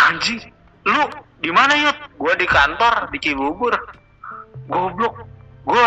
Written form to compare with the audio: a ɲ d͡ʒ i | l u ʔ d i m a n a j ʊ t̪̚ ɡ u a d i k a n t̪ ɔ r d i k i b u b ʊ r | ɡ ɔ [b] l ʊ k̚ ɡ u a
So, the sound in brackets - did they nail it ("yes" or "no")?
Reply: yes